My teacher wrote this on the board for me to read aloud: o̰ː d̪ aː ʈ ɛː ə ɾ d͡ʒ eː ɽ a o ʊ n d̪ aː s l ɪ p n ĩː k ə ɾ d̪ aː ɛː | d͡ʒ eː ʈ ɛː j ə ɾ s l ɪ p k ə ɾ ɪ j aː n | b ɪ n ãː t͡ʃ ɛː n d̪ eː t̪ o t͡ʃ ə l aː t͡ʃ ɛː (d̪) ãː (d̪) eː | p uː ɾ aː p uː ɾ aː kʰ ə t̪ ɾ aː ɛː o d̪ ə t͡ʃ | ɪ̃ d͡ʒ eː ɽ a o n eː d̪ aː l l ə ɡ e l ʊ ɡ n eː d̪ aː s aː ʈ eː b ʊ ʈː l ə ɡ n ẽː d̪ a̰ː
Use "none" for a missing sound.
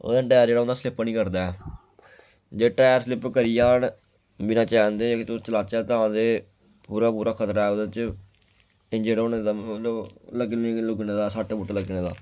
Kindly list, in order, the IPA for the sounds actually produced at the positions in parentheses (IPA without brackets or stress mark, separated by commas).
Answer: t̪, d̪